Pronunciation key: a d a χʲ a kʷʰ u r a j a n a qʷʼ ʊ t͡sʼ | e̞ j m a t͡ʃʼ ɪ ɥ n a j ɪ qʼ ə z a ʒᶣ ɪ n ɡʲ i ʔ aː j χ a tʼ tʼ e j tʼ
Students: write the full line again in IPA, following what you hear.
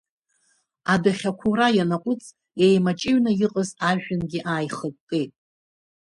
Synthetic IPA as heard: a d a χʲ a kʷʰ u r a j a n a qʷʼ ʊ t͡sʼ | e̞ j m a t͡ʃʼ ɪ ɥ n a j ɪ qʼ ə z a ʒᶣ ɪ n ɡʲ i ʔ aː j χ ə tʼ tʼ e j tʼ